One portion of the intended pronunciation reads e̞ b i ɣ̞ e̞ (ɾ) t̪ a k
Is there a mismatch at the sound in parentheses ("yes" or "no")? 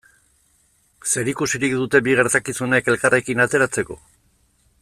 no